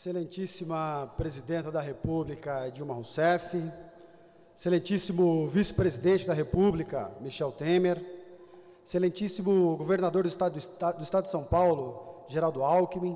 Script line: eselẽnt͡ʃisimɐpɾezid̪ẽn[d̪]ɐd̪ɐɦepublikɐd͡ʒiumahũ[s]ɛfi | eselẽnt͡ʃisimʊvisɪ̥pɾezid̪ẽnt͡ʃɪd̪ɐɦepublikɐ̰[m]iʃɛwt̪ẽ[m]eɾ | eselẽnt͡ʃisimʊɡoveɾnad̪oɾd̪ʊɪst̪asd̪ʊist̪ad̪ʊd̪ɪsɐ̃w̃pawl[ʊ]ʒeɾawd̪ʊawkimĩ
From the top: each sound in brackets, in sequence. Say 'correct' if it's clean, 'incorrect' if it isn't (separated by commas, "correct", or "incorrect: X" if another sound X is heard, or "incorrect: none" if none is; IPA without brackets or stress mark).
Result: incorrect: t̪, correct, correct, correct, correct